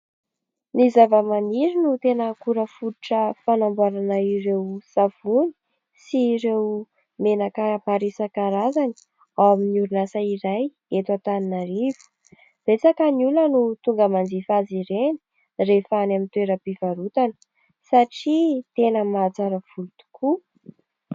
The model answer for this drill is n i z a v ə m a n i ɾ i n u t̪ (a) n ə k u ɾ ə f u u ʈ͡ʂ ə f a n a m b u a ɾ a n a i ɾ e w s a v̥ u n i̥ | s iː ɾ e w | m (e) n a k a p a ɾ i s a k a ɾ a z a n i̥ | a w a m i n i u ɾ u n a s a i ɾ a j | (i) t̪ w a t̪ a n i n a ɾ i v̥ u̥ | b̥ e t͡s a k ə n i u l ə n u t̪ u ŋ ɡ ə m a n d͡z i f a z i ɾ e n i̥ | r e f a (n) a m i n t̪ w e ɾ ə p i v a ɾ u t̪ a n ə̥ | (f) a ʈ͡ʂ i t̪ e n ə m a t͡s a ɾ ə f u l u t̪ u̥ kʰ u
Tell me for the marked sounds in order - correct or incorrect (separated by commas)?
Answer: incorrect, correct, incorrect, correct, incorrect